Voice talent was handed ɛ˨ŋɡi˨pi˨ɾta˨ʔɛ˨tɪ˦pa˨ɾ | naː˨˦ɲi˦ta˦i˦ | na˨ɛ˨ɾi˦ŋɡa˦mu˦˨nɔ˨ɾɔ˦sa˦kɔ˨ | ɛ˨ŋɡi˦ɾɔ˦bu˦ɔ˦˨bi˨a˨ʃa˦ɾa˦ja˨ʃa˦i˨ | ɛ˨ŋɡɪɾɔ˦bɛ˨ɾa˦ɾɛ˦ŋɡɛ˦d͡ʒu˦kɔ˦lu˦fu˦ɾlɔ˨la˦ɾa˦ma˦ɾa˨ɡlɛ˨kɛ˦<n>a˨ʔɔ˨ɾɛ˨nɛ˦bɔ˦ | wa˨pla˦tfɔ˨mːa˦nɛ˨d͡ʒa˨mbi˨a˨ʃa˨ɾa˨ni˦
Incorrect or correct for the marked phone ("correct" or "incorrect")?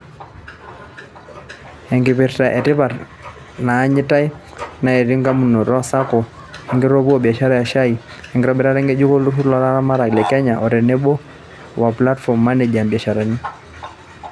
incorrect